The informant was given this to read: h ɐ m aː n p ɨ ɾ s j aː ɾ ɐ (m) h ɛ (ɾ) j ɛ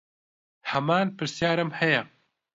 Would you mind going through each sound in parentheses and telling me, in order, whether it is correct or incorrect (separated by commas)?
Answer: correct, incorrect